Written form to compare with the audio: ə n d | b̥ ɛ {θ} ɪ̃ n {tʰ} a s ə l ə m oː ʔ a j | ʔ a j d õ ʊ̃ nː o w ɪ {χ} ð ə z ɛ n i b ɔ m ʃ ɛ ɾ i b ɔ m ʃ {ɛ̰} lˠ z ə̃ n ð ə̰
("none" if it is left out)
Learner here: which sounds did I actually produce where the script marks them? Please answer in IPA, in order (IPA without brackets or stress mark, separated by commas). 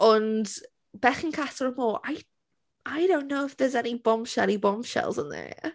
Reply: χ, kʰ, f, ɛ̰